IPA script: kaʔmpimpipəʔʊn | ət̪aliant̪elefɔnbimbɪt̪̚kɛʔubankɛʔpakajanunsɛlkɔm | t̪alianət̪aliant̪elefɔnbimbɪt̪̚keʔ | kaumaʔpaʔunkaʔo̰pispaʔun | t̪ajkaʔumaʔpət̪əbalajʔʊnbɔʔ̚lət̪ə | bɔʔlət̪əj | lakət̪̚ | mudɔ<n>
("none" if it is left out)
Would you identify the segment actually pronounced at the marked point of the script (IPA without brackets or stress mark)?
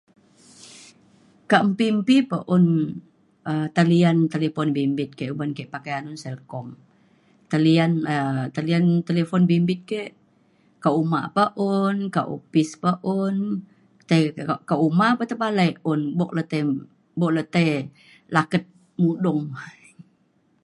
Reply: ŋ